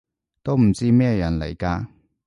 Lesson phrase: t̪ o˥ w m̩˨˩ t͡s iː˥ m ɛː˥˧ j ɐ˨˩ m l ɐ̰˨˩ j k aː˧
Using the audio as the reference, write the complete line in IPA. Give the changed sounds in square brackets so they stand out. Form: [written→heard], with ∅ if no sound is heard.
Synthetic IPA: t̪ o˥ w m̩˨˩ t͡s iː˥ m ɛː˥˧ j ɐ˨˩ [m→n] l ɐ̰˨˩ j k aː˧

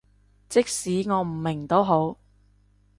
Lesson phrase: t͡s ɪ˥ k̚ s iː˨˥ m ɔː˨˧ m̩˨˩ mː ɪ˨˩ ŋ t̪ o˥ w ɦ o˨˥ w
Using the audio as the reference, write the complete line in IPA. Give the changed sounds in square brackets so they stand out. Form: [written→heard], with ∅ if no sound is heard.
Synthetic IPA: t͡s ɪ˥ k̚ s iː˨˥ [m→ŋ] ɔː˨˧ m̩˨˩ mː ɪ˨˩ ŋ t̪ o˥ w ɦ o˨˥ w

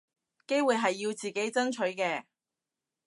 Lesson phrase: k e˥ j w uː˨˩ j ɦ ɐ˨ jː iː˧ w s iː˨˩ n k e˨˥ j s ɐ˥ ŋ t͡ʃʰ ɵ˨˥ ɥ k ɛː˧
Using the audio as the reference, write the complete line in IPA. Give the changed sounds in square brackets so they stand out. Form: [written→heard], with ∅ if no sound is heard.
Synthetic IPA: k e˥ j w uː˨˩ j ɦ ɐ˨ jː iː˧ w [s→t͡s] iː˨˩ [n→∅] k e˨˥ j [s→t͡s] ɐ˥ [ŋ→n] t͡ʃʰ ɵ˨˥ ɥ k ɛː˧

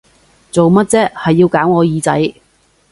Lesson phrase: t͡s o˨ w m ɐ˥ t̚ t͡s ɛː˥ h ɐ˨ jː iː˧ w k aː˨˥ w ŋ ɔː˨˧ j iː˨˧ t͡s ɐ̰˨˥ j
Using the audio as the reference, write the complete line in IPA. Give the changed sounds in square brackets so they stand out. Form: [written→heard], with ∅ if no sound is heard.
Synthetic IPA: t͡s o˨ w m ɐ˥ t̚ t͡s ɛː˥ h ɐ˨ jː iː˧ w k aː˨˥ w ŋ ɔː˨˧ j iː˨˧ t͡s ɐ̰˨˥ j

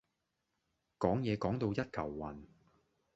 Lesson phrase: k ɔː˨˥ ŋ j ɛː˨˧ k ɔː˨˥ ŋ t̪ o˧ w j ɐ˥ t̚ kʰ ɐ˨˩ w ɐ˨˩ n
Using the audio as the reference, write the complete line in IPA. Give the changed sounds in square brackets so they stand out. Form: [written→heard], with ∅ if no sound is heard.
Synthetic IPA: k ɔː˨˥ ŋ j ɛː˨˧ k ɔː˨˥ ŋ t̪ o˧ w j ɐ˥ t̚ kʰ ɐ˨˩ [w→wː] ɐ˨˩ n

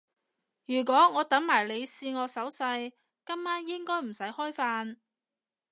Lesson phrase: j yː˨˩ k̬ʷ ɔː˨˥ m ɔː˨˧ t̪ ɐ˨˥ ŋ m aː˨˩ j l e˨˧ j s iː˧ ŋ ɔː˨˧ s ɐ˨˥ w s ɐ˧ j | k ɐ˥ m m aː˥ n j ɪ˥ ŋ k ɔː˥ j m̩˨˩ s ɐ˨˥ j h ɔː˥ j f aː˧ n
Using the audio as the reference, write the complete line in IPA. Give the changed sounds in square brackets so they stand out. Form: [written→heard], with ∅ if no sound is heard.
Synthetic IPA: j yː˨˩ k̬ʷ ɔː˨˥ [m→ŋ] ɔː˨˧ t̪ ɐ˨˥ ŋ m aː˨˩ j l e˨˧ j s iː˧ ŋ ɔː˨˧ s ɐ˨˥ w s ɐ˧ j | k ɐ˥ m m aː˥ n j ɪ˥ ŋ k ɔː˥ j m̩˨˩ s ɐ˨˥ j h ɔː˥ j f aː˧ n

